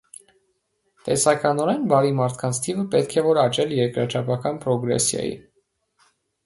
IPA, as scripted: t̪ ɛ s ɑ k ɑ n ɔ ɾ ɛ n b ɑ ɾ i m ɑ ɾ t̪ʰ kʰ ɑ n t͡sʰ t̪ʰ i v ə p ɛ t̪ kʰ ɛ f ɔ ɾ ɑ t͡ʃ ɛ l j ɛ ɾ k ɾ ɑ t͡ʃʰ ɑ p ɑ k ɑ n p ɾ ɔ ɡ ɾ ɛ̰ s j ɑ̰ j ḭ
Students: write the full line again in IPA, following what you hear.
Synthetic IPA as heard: t̪ ɛ s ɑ k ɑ n ɔ ɾ ɛ n b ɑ ɾ i m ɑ ɾ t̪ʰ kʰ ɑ n t͡sʰ t̪ʰ i v ə p ɛ t̪ kʰ ɛ v ɔ ɾ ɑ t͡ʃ ɛ l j ɛ ɾ k ɾ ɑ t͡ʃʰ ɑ p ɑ k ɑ n p ɾ ɔ ɡ ɾ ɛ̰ s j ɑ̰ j ḭ